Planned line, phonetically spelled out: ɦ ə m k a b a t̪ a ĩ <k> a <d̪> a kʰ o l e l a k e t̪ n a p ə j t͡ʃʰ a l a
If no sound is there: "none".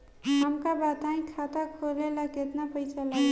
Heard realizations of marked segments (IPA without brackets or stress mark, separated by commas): kʰ, t̪